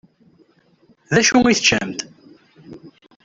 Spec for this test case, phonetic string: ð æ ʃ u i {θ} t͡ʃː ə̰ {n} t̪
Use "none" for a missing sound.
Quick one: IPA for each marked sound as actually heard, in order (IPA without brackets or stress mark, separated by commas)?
θ, m